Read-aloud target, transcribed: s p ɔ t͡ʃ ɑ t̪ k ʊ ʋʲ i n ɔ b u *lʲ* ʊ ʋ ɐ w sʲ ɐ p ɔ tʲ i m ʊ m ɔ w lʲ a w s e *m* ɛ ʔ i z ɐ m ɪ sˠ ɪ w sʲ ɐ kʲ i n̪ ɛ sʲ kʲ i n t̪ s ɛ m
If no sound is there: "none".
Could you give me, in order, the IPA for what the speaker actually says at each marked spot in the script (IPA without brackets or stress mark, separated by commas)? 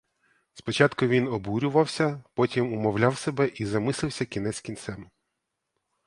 ɾʲ, b